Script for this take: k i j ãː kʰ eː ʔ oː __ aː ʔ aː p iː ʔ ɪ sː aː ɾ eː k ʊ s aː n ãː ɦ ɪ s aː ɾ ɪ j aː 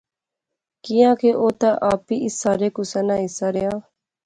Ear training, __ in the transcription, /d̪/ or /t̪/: t̪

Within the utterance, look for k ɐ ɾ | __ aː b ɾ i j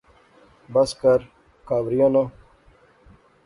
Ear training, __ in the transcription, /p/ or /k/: k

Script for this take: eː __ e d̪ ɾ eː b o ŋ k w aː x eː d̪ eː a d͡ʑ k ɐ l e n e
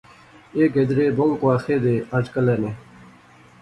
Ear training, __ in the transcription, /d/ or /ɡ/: ɡ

